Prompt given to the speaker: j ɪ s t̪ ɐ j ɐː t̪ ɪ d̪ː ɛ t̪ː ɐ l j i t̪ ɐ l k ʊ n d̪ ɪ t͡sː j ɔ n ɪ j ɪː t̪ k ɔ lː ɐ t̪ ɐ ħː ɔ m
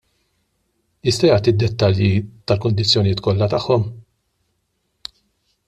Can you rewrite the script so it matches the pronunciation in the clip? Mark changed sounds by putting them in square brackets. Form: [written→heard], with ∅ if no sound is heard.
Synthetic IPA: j ɪ s t̪ ɐ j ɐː t̪ [ɪ→i] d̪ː ɛ t̪ː ɐ l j i t̪ ɐ l k ʊ n d̪ ɪ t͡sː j ɔ n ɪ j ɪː t̪ k ɔ lː ɐ t̪ ɐ ħː ɔ m